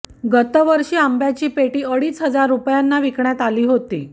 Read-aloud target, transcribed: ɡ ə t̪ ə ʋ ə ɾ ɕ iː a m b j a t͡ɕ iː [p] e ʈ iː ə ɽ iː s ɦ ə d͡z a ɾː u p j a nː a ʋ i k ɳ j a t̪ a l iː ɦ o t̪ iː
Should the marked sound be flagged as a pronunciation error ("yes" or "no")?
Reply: no